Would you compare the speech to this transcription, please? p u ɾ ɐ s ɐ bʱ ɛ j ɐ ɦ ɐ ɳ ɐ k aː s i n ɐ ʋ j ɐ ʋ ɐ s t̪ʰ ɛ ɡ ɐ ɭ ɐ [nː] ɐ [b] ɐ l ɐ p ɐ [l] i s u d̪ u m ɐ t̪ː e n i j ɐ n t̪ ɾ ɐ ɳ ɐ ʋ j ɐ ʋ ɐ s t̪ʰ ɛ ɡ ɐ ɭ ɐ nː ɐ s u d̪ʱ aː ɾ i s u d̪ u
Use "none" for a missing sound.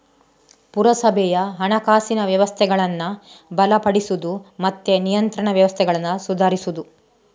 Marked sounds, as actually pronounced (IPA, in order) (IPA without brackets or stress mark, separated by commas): nː, b, ɽ